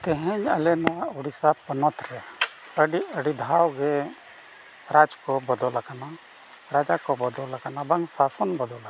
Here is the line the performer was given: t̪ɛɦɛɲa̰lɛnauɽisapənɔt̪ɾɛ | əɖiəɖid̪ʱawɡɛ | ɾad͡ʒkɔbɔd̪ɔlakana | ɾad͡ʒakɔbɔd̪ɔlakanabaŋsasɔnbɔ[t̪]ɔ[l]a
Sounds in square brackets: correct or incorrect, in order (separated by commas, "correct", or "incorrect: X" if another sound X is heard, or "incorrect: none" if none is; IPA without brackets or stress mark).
incorrect: d̪, correct